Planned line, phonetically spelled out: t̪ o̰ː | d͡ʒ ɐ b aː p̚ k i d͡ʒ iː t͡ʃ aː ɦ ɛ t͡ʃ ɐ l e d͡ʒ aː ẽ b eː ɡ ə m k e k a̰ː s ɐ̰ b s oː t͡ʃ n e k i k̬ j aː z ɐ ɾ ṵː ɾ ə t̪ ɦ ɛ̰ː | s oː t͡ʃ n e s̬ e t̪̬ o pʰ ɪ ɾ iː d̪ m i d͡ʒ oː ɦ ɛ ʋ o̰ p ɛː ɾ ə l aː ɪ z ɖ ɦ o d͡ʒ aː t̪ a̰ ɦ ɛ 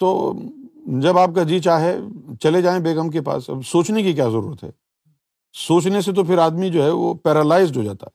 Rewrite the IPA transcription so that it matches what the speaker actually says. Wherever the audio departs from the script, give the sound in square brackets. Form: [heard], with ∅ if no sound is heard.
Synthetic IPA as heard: t̪ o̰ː | d͡ʒ ɐ b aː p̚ k [a] d͡ʒ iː t͡ʃ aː ɦ ɛ t͡ʃ ɐ l e d͡ʒ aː ẽ b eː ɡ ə m k e [p] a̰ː s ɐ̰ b s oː t͡ʃ n e k i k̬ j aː z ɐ ɾ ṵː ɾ ə t̪ ɦ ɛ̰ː | s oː t͡ʃ n e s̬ e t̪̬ o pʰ ɪ ɾ [aː] d̪ m i d͡ʒ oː ɦ ɛ ʋ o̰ p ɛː ɾ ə l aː ɪ z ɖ ɦ o d͡ʒ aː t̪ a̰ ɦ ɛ